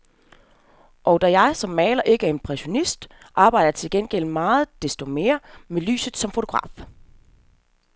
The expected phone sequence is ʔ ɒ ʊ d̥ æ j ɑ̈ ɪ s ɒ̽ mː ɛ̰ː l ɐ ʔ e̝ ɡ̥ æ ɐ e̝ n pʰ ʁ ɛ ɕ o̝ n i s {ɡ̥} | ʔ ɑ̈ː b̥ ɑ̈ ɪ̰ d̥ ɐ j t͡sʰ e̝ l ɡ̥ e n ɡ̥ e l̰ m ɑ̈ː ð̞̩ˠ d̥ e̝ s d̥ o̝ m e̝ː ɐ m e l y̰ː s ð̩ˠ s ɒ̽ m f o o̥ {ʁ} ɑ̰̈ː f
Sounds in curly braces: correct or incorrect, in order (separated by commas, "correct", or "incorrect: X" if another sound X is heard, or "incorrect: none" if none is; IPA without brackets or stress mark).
incorrect: d̥, correct